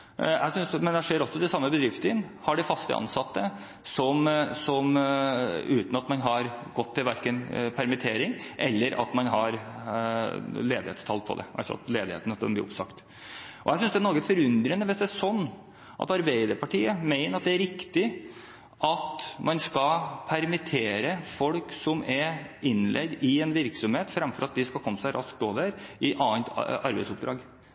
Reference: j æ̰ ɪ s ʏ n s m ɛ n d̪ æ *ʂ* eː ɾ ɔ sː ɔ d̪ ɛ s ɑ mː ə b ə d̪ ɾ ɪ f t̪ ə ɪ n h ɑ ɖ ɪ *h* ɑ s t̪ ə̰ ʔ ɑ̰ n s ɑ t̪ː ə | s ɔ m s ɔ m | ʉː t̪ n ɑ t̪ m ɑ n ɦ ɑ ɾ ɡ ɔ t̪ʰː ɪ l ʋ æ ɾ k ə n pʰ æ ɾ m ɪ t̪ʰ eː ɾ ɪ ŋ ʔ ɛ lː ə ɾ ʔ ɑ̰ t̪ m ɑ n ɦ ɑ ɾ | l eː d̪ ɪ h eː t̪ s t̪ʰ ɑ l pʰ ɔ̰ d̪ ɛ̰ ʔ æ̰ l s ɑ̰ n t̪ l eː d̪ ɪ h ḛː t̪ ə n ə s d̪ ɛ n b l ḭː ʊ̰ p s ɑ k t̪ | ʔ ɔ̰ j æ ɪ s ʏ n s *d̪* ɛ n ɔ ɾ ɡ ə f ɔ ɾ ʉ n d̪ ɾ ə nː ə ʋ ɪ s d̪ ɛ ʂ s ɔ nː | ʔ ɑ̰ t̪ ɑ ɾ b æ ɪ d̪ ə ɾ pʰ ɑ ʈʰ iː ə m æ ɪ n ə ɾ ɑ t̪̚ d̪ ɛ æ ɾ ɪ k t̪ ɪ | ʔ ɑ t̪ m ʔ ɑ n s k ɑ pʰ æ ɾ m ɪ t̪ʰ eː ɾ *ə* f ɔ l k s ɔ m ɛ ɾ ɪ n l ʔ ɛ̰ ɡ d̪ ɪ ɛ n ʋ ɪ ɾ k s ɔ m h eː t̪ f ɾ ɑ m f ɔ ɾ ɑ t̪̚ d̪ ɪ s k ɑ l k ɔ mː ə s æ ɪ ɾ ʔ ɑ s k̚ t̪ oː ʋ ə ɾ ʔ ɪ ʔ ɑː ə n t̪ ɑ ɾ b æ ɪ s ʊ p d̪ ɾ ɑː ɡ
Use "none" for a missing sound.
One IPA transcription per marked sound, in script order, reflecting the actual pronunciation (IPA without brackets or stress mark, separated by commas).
ʂ, f, d̪, ə